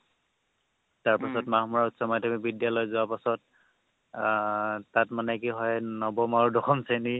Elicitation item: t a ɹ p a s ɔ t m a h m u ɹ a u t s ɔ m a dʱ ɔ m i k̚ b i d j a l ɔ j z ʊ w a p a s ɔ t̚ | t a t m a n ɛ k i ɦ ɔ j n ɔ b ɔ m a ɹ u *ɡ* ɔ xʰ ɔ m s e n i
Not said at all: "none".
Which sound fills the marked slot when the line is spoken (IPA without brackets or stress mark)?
d